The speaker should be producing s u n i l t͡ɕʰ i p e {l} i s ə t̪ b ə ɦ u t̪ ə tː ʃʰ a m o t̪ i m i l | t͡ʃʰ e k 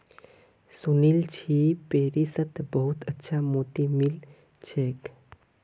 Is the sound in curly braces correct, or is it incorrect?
incorrect